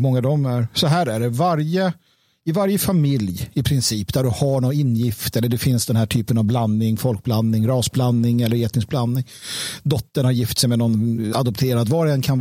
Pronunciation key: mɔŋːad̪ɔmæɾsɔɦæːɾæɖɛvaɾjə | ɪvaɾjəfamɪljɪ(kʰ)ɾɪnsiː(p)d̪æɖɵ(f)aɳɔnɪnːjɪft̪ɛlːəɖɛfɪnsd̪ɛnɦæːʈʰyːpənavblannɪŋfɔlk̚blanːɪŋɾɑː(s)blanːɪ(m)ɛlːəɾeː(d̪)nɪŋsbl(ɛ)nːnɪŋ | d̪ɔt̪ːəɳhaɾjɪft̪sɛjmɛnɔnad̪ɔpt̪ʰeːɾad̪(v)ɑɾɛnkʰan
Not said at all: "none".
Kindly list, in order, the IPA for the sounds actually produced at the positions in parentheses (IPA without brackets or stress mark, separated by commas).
pʰ, p, h, s, ŋ, t̪, a, v